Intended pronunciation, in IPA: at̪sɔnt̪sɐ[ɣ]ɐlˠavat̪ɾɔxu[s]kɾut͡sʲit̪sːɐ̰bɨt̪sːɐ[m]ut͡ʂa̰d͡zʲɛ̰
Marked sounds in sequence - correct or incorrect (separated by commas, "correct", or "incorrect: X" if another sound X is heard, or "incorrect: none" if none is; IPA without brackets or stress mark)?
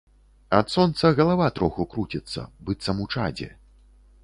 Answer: correct, incorrect: none, correct